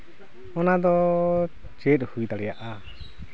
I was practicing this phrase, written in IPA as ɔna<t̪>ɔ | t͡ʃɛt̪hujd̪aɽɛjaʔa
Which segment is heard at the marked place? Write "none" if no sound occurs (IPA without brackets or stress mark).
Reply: d̪